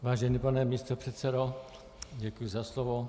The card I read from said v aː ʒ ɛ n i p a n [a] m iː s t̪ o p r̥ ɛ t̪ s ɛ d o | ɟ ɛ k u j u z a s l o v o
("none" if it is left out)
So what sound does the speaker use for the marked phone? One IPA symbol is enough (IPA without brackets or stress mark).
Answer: ɛ